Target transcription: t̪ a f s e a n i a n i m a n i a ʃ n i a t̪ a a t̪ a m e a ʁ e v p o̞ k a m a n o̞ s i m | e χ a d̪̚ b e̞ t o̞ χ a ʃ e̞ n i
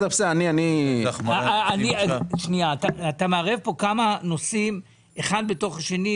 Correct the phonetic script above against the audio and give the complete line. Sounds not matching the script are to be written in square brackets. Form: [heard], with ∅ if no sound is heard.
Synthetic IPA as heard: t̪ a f s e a n i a n i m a n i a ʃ n i a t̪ a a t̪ a m e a ʁ e v p o̞ k a m a n o̞ s i m | e χ a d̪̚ b e̞ t o̞ χ a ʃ e̞ n i